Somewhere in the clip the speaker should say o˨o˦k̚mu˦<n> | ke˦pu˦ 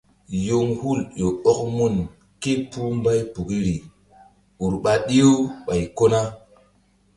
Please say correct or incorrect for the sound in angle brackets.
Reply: correct